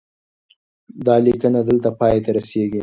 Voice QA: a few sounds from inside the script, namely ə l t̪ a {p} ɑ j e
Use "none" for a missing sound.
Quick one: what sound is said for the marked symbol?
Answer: p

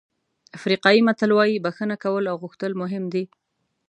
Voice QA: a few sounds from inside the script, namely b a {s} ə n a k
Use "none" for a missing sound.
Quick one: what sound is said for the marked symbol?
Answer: x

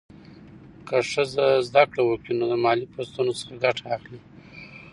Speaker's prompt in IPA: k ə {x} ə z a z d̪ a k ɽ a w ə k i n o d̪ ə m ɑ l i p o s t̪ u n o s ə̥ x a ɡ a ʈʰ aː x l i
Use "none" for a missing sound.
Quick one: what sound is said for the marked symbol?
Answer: ʂ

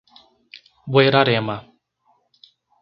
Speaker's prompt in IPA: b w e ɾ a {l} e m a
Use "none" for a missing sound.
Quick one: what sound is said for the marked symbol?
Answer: ɾ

